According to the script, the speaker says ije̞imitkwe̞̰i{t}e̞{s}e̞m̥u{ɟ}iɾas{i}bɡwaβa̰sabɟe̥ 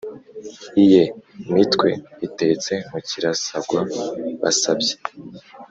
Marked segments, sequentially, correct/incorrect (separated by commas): correct, incorrect, incorrect, incorrect